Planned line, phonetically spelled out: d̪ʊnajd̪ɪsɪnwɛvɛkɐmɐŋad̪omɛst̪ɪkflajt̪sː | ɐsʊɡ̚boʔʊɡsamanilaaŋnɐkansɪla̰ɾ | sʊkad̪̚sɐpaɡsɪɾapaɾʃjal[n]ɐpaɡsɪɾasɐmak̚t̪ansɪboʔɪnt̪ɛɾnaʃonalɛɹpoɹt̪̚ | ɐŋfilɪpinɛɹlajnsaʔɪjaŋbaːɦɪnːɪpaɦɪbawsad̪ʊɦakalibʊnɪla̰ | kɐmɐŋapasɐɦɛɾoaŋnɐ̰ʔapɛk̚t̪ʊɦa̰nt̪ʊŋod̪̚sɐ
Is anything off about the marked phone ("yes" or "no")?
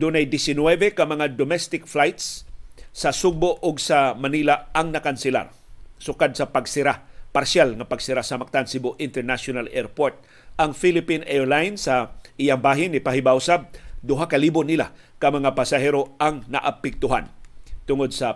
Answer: yes